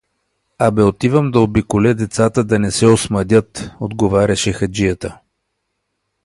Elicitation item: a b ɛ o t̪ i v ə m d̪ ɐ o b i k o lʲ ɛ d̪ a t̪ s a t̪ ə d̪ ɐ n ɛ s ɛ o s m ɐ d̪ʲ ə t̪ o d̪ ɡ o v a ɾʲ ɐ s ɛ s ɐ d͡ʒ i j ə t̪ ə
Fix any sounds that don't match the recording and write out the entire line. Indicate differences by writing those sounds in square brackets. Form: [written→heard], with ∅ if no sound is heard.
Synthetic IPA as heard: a b ɛ o t̪ i v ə m d̪ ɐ o b i k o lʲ ɛ d̪ [a→ɛ] t̪ s a t̪ ə d̪ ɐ n ɛ s ɛ o s m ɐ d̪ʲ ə t̪ o d̪ ɡ o v a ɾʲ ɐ [s→ʃ] ɛ [s→x] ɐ d͡ʒ i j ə t̪ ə